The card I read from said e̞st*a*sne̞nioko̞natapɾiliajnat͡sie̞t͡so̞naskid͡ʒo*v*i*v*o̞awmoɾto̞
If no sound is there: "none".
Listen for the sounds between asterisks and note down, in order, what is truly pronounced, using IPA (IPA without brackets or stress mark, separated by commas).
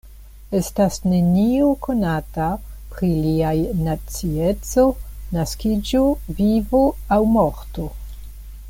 a, v, v